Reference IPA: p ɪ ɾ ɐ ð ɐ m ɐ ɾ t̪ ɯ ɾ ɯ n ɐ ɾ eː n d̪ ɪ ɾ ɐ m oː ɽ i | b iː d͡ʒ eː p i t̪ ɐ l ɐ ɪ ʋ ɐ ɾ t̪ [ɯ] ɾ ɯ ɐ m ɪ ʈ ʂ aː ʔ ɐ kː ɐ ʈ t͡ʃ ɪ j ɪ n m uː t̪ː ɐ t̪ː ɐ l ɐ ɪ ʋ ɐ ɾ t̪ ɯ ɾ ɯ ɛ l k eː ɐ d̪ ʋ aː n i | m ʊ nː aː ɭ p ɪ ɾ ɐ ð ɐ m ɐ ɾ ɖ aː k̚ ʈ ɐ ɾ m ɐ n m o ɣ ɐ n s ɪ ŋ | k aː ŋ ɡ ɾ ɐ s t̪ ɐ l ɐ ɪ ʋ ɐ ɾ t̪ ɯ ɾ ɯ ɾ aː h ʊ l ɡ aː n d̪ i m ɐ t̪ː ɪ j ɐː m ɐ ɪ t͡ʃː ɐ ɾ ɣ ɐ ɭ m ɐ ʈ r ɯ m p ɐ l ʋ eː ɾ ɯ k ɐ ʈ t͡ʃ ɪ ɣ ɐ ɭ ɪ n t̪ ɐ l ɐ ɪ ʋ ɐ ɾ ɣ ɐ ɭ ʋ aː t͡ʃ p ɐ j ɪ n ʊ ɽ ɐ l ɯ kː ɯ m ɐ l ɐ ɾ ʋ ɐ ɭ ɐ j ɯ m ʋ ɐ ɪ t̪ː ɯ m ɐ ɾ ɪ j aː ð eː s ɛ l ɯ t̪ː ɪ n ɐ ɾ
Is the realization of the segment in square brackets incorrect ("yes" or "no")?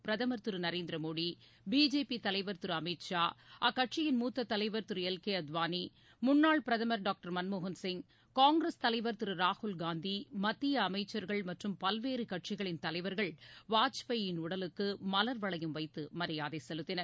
no